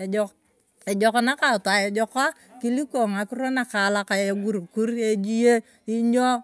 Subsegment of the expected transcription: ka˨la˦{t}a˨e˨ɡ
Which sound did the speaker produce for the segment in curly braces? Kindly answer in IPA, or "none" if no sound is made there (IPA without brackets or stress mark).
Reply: k